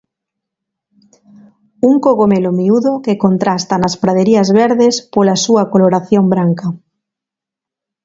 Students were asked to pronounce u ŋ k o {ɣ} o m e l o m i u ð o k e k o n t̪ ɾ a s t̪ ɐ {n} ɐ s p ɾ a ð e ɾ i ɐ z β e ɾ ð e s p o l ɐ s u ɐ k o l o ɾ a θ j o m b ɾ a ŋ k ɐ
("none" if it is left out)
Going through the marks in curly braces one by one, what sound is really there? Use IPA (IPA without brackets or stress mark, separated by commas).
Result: ɣ, n